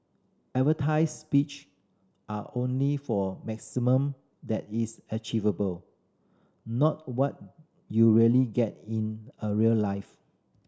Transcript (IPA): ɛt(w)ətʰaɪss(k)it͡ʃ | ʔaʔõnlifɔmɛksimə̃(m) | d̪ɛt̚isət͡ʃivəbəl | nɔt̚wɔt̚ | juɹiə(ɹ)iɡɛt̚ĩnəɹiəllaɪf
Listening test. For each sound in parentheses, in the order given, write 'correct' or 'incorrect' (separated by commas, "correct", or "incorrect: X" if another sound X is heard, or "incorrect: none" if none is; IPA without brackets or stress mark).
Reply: incorrect: v, incorrect: p, correct, incorrect: l